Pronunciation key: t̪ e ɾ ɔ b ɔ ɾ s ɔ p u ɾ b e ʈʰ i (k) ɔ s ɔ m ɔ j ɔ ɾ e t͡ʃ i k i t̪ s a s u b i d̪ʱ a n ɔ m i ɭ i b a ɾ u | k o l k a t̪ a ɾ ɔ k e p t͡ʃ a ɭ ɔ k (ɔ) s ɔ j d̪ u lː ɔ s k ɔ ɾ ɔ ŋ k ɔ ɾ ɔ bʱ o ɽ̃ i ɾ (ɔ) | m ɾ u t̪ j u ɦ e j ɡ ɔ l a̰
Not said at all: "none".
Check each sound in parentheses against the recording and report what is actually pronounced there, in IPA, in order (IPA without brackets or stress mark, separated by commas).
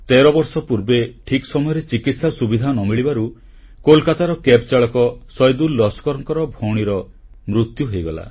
k, ɔ, ɔ